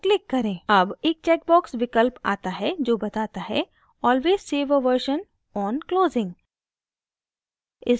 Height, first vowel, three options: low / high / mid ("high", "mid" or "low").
high